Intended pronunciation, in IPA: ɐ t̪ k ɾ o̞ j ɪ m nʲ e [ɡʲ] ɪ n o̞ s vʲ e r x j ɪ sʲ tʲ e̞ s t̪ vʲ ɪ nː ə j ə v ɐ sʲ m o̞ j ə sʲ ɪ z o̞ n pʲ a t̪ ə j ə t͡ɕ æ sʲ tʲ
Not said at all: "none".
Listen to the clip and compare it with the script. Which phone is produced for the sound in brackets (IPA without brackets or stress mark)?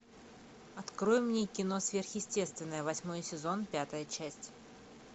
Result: kʲ